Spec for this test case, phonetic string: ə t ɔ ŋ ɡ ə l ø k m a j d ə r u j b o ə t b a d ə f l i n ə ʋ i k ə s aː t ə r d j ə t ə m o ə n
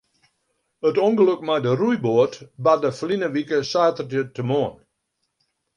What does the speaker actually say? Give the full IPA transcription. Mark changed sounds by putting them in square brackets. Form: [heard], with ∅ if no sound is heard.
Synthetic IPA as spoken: ə t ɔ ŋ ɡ ə l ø k m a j d ə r u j b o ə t b a d ə f l i n ə ʋ i k ə s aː t ə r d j ə t ə m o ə n